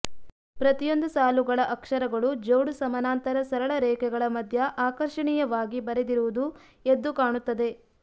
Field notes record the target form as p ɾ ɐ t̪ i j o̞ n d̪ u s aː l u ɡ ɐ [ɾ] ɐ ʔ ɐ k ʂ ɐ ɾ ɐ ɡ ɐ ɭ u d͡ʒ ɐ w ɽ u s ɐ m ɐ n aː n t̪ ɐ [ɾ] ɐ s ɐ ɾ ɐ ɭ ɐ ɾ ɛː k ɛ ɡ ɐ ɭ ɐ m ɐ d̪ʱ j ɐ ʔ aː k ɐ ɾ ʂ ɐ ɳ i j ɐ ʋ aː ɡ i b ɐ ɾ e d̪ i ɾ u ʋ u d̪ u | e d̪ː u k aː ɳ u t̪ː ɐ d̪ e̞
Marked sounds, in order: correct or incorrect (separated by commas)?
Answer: incorrect, correct